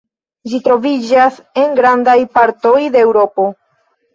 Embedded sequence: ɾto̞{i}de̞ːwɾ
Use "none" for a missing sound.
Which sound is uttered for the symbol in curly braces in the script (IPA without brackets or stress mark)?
j